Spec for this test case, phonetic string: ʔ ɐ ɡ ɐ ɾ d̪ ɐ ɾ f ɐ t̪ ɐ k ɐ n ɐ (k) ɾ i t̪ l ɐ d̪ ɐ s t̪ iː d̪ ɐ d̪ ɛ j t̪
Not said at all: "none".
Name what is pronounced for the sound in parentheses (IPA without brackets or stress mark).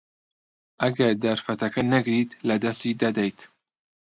ɡ